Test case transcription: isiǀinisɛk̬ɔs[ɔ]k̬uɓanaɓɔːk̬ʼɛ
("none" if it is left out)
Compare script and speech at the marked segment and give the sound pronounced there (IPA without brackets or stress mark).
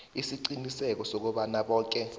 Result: o